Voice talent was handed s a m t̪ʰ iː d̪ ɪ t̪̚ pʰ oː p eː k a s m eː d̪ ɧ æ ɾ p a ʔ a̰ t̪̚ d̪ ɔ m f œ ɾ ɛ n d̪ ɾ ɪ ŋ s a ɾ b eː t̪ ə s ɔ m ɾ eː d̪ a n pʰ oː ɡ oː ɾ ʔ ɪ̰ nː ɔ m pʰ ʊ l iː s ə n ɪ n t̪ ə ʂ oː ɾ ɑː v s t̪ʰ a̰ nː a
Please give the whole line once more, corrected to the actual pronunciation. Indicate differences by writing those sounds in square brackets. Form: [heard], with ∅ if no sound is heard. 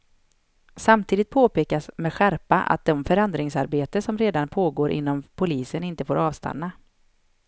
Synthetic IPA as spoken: s a m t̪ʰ iː d̪ ɪ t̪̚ pʰ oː p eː k a s m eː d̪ ɧ æ ɾ p a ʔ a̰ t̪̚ d̪ ɔ m f œ ɾ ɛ n d̪ ɾ ɪ ŋ s a ɾ b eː t̪ ə s ɔ m ɾ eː d̪ a n pʰ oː ɡ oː ɾ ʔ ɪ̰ nː ɔ m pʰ ʊ l iː s ə n ɪ n t̪ ə [f] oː ɾ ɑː v s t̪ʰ a̰ nː a

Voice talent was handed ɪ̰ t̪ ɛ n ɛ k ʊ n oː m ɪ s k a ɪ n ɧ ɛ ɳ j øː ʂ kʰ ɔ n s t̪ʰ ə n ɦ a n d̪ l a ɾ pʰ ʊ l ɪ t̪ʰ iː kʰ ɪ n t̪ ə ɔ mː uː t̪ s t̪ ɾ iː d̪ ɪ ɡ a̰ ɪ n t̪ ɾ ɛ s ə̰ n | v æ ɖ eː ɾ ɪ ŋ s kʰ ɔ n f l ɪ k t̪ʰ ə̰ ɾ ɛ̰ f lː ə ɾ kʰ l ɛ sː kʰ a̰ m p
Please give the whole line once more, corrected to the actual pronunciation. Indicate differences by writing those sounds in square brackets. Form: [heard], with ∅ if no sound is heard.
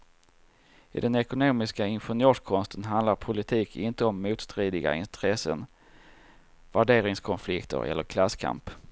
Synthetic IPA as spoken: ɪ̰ [d̪] ɛ n ɛ k ʊ n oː m ɪ s k a ɪ n ɧ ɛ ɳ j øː ʂ kʰ ɔ n s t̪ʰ ə n ɦ a n d̪ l a ɾ pʰ ʊ l ɪ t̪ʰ iː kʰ ɪ n t̪ ə ɔ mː uː t̪ s t̪ ɾ iː d̪ ɪ ɡ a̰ ɪ n t̪ ɾ ɛ s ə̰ n | v æ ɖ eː ɾ ɪ ŋ s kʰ ɔ n f l ɪ k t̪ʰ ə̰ ɾ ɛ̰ [∅] lː ə ɾ kʰ l [a] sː kʰ a̰ m p

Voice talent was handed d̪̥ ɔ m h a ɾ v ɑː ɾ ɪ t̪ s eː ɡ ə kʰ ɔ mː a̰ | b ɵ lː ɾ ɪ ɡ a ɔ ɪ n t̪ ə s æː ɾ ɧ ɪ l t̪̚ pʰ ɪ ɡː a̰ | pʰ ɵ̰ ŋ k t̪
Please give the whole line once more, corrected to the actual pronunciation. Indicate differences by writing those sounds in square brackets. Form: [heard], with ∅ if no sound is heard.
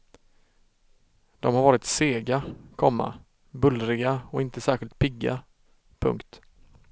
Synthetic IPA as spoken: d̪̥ ɔ m h a ɾ v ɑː ɾ ɪ t̪ s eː ɡ [a] kʰ ɔ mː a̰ | b ɵ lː ɾ ɪ ɡ a ɔ ɪ n t̪ ə s æː ɾ ɧ ɪ l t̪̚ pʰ ɪ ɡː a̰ | pʰ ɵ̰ ŋ k t̪

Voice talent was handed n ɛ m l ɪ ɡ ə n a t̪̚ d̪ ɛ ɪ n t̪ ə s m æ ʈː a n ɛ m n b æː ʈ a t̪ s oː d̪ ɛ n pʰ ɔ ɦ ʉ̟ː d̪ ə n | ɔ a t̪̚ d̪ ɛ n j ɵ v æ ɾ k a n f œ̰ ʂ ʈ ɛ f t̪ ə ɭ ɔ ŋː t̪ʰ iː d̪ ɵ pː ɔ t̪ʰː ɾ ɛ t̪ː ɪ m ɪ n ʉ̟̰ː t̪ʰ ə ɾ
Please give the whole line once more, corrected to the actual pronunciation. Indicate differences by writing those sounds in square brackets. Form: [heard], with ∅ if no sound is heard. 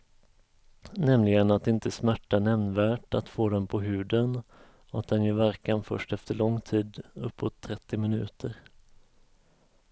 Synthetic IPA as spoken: n ɛ m l ɪ ɡ ə n a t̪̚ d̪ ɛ ɪ n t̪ ə s m æ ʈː a n ɛ m n [v] æː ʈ a t̪ [f] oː d̪ ɛ n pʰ ɔ ɦ ʉ̟ː d̪ ə n | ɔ a t̪̚ d̪ ɛ n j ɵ v æ ɾ k a n f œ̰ ʂ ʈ ɛ f t̪ ə ɭ ɔ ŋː t̪ʰ iː d̪ ɵ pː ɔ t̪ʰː ɾ ɛ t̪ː ɪ m ɪ n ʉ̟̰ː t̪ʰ ə ɾ

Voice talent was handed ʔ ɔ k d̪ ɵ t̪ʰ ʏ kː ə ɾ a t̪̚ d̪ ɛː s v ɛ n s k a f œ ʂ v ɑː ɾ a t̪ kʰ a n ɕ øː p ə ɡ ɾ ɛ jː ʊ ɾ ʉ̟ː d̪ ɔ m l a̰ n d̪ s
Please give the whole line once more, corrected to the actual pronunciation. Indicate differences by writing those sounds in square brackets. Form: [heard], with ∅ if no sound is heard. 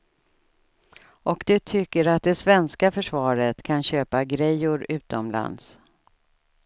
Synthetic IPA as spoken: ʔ ɔ k d̪ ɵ t̪ʰ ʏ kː ə ɾ a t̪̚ d̪ [ɛ] s v ɛ n s k a f œ ʂ v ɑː ɾ [ə] t̪ kʰ a n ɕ øː p [a] ɡ ɾ ɛ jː ʊ ɾ ʉ̟ː [t̪] ɔ m l a̰ n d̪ s

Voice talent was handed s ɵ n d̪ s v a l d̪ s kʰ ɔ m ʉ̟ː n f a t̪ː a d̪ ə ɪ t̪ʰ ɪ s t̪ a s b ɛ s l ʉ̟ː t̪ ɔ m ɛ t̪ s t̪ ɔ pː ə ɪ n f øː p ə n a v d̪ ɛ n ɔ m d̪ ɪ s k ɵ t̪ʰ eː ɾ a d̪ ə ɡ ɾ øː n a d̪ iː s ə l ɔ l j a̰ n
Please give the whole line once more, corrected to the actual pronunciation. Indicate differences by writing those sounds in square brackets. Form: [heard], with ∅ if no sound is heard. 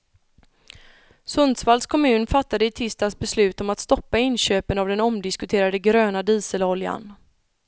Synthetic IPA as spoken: s ɵ n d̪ s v a l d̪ s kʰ ɔ m ʉ̟ː n f a t̪ː a d̪ ə ɪ t̪ʰ ɪ s t̪ a s b ɛ s l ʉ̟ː t̪ ɔ m [a] t̪ s t̪ ɔ pː [a] ɪ n [ɕ] øː p ə n a v d̪ ɛ n ɔ m d̪ ɪ s k ɵ t̪ʰ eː ɾ a d̪ ə ɡ ɾ øː n a d̪ iː s ə l ɔ l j a̰ n

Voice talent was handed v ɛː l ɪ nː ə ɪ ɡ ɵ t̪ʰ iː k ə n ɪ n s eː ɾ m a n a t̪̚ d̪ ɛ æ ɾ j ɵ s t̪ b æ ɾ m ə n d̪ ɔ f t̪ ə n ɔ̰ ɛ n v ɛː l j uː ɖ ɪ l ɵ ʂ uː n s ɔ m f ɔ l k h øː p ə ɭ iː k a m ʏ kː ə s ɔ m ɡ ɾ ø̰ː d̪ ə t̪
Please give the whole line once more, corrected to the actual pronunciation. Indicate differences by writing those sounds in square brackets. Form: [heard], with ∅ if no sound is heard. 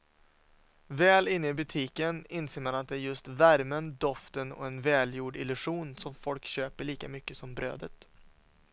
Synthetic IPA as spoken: v ɛː l ɪ nː ə ɪ [b] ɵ t̪ʰ iː k ə n ɪ n s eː ɾ m a n a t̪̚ d̪ ɛ æ ɾ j ɵ s t̪ [v] æ ɾ m ə n d̪ ɔ f t̪ ə n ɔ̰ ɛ n v ɛː l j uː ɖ ɪ l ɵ ʂ uː n s ɔ m f ɔ l k [ɕ] øː p ə ɭ iː k a m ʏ kː ə s ɔ m [b] ɾ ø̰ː d̪ ə t̪

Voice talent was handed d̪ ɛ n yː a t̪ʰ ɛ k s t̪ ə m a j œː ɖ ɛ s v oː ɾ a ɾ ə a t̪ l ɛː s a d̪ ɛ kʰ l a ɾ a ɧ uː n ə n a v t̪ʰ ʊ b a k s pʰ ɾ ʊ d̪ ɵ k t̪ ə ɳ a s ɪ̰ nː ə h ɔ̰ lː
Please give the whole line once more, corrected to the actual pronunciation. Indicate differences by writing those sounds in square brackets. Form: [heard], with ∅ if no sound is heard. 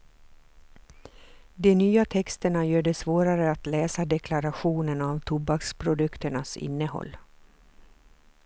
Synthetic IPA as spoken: d̪ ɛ n yː a t̪ʰ ɛ k s t̪ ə [ɳ] a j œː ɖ ɛ s v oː ɾ a ɾ ə a t̪ l ɛː s a d̪ ɛ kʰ l a ɾ a ɧ uː n ə n a v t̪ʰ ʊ b a k s pʰ ɾ ʊ d̪ ɵ k t̪ ə ɳ a s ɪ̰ nː ə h ɔ̰ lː

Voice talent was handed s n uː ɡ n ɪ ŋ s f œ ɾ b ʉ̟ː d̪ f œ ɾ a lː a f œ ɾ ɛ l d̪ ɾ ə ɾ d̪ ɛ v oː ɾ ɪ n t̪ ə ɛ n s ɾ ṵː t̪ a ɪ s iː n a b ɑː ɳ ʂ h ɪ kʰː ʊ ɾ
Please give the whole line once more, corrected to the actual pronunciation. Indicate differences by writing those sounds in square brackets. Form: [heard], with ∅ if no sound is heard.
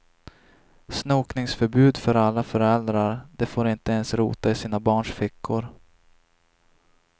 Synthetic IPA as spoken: s n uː [k] n ɪ ŋ s f œ ɾ b ʉ̟ː d̪ f œ ɾ a lː a f œ ɾ ɛ l d̪ ɾ [a] ɾ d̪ ɛ [f] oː ɾ ɪ n t̪ ə ɛ n s ɾ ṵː t̪ a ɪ s iː n a b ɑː ɳ ʂ [f] ɪ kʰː ʊ ɾ

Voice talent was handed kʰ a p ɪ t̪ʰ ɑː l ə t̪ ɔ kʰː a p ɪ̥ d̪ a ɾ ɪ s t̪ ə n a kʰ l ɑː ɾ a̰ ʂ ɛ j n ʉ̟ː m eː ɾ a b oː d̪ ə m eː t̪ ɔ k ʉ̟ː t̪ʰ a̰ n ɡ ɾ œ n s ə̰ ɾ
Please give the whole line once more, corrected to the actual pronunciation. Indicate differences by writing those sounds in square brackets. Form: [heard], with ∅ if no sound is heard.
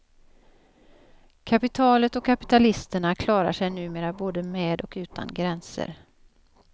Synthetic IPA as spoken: kʰ a p ɪ t̪ʰ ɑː l ə t̪ ɔ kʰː a p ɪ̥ [t̪] a [l] ɪ s t̪ ə [ɳ] a kʰ l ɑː ɾ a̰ ʂ ɛ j n ʉ̟ː m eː ɾ a b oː d̪ ə m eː [d̪] ɔ k ʉ̟ː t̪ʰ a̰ n ɡ ɾ [ɛ] n s ə̰ ɾ

